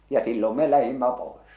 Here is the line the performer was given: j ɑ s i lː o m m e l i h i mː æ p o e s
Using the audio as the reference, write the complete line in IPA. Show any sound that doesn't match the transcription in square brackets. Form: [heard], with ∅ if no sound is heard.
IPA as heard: j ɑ s i lː o m m e l [æ] h i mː æ p o e s